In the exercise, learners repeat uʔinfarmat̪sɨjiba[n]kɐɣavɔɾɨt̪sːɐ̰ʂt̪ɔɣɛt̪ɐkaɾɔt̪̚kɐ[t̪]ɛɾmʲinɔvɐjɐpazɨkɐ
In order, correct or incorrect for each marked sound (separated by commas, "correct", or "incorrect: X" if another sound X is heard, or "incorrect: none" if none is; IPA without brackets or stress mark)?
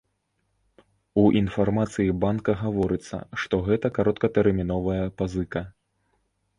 correct, correct